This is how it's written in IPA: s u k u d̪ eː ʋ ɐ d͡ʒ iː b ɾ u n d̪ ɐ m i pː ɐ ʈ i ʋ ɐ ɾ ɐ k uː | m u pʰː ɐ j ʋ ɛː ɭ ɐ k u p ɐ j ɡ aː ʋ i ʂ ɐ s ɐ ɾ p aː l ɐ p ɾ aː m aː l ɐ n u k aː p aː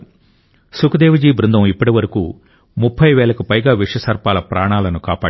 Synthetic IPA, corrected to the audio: s u k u d̪ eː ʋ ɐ d͡ʒ iː b ɾ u n d̪ ɐ m i pː ɐ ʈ i ʋ ɐ ɾ ɐ k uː | m u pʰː ɐ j ʋ ɛː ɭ ɐ k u p ɐ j ɡ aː ʋ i ʂ ɐ s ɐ ɾ p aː l ɐ p ɾ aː ɳ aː l ɐ n u k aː p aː